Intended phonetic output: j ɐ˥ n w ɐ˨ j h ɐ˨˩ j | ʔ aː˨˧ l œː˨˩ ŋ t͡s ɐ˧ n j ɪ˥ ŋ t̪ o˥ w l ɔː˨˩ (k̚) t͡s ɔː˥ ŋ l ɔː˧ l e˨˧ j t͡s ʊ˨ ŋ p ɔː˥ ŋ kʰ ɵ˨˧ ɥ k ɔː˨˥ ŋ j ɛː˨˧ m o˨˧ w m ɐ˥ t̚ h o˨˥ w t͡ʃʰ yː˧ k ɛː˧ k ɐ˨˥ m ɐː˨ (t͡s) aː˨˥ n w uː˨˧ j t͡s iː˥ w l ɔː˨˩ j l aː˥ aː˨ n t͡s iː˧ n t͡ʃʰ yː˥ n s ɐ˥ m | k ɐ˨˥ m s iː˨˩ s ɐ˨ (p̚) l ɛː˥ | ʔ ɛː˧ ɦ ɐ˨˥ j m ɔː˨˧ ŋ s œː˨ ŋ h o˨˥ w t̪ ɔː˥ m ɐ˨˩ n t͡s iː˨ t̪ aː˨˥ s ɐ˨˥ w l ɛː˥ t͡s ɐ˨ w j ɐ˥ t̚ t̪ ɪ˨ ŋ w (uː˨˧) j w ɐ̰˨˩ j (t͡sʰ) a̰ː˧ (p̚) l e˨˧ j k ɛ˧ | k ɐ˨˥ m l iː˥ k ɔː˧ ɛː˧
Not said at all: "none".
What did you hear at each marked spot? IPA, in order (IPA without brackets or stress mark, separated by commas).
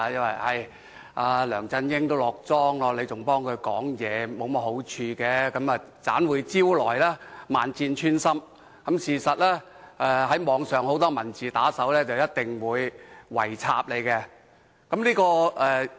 k̚, t͡s, t̚, uː˨˧, t͡sʰ, p̚